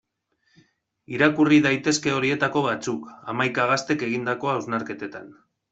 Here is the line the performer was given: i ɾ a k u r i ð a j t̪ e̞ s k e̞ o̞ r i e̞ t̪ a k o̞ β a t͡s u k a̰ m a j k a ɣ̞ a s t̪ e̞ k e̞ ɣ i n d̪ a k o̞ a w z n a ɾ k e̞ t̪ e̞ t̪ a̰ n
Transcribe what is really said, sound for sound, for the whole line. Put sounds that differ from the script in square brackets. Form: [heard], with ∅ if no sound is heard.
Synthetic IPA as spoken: i ɾ a k u r i ð a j t̪ e̞ s k e̞ o̞ [ɾ] i e̞ t̪ a k o̞ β a t͡s u k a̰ m a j k a ɣ̞ a s t̪ e̞ k e̞ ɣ i n d̪ a k o̞ a w z n a ɾ k e̞ t̪ e̞ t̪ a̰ n